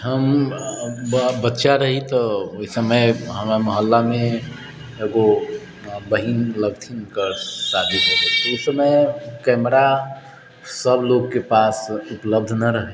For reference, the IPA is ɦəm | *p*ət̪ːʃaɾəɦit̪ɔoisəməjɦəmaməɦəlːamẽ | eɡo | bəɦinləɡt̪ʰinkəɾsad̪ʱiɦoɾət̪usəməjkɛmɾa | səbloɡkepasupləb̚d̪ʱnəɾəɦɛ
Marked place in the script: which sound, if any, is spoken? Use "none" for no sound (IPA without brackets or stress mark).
b